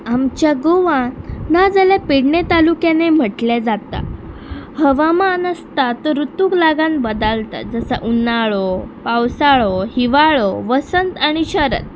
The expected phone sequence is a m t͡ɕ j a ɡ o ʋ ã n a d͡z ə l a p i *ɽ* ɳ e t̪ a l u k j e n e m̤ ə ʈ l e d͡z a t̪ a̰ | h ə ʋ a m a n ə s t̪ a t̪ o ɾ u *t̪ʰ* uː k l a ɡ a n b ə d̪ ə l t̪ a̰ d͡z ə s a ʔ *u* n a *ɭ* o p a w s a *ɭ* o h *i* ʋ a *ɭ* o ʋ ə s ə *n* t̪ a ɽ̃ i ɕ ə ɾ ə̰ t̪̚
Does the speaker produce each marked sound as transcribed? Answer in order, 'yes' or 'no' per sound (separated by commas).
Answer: yes, no, yes, yes, yes, yes, yes, yes